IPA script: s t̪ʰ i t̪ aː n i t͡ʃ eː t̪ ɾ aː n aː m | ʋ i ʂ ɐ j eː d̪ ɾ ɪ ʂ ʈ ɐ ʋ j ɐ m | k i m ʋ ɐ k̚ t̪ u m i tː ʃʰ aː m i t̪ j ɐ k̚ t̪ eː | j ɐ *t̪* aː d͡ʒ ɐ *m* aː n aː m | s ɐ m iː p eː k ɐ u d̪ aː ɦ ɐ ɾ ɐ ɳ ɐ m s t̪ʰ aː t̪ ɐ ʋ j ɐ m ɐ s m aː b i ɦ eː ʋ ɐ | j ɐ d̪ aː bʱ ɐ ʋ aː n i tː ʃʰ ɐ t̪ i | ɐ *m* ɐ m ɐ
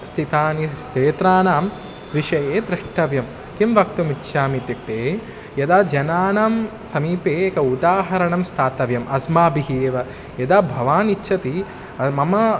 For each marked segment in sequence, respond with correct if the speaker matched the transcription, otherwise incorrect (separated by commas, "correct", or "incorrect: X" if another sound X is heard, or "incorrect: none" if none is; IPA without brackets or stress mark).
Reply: incorrect: d̪, incorrect: n, correct